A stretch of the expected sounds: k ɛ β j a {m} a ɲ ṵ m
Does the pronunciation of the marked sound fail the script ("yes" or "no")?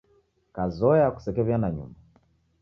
yes